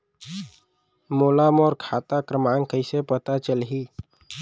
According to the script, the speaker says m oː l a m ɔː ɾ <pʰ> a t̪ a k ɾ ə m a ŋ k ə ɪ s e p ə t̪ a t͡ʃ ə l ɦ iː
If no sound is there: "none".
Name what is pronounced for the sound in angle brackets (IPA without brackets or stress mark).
kʰ